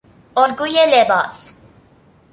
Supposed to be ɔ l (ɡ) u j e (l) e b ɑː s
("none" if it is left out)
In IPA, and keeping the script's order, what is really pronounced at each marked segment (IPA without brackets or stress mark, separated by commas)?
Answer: ɡ, l